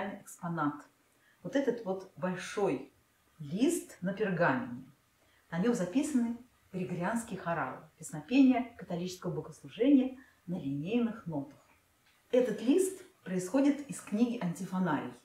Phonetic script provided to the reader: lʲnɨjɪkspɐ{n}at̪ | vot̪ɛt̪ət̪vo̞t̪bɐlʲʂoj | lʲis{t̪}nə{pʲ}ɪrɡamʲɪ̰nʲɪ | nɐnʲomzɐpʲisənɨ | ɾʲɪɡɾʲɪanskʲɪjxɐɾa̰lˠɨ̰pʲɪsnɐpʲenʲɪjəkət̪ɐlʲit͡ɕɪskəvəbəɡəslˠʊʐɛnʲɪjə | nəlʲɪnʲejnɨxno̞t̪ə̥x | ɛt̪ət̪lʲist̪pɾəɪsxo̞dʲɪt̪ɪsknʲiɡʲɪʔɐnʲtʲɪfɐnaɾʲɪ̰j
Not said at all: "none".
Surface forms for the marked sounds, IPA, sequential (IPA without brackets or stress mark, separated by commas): n, t̪, pʲ